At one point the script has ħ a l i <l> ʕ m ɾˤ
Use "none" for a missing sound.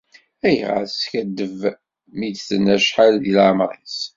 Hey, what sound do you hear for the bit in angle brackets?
l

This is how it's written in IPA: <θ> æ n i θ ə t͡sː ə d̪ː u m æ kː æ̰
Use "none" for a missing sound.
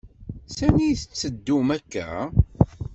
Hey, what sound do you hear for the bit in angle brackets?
s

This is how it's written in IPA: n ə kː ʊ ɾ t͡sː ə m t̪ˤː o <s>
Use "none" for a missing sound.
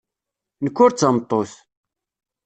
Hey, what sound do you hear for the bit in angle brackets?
θ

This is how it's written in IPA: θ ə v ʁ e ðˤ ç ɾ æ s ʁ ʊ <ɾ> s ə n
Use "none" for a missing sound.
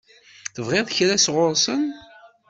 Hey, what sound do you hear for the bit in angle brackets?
ɾ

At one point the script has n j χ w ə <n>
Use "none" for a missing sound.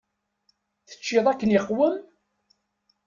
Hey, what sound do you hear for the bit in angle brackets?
m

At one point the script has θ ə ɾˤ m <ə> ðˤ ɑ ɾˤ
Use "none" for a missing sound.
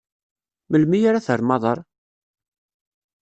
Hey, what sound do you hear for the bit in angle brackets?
ɑ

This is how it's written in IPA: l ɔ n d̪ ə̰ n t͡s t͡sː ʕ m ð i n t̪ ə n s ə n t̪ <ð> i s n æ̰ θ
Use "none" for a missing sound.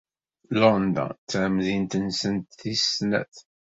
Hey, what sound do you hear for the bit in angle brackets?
θ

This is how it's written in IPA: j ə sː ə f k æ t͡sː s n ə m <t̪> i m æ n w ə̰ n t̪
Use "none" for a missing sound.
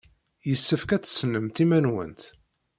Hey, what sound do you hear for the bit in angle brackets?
t̪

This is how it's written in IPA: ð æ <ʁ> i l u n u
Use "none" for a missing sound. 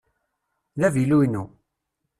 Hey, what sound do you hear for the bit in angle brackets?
v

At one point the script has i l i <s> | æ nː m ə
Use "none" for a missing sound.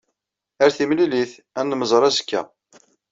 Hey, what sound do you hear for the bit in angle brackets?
θ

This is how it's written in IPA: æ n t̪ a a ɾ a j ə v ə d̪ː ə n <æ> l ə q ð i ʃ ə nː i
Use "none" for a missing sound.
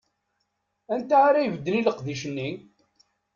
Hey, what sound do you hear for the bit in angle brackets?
i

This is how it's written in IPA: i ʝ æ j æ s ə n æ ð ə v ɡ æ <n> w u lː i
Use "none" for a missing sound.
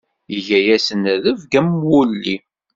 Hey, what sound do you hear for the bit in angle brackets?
m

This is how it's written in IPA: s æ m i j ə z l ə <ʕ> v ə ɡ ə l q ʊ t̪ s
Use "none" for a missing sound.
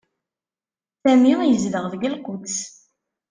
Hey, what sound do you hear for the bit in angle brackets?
ʁ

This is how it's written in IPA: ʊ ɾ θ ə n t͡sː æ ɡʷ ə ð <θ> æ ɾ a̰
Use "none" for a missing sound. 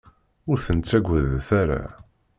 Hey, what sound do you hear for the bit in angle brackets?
θ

